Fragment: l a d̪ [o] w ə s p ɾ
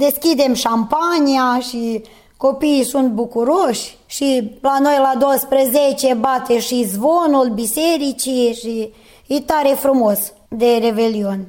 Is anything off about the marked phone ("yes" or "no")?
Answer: no